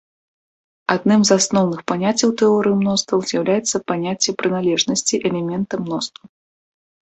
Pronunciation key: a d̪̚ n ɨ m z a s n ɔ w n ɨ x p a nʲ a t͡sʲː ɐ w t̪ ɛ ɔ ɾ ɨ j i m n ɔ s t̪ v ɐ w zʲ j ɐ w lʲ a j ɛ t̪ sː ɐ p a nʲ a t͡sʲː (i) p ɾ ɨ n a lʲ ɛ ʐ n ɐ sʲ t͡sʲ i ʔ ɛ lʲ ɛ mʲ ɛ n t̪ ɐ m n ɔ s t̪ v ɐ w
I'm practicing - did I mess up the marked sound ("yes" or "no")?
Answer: yes